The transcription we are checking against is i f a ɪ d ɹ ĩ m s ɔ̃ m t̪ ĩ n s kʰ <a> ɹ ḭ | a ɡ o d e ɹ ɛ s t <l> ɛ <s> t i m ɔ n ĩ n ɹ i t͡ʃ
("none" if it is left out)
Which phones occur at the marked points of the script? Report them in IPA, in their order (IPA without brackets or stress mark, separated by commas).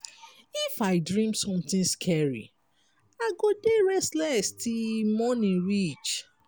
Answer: ɛ, l, s